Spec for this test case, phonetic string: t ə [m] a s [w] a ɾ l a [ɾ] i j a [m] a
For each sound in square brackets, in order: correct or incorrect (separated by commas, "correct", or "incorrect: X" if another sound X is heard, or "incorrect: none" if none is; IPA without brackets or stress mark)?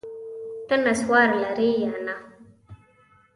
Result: incorrect: n, correct, correct, incorrect: n